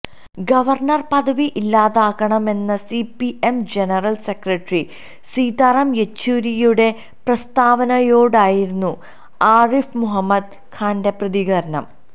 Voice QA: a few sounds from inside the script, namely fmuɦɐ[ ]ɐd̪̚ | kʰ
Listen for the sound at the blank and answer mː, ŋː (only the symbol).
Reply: mː